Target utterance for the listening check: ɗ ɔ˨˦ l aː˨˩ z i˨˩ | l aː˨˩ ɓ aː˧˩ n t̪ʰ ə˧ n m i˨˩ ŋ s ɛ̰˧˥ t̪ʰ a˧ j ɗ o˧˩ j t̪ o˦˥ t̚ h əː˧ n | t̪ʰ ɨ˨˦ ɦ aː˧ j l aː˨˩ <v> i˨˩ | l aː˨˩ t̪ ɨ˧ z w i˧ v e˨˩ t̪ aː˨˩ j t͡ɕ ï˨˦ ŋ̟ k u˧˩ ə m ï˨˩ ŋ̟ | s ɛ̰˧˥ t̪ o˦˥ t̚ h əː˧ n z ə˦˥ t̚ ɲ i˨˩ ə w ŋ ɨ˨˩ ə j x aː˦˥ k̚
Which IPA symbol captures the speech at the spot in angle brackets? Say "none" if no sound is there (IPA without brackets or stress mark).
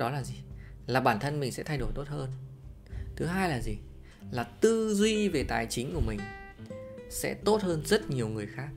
z